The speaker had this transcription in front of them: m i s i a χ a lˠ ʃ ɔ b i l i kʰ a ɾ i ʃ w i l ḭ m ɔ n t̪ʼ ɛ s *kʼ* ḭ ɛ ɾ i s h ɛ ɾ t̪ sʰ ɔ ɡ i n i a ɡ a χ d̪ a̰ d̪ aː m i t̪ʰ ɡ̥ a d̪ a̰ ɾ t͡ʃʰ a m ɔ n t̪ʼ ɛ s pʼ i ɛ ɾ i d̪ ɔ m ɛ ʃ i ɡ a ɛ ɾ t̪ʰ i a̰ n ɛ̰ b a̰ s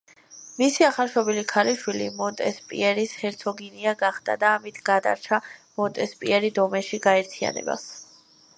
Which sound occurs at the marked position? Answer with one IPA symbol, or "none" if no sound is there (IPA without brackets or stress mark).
pʼ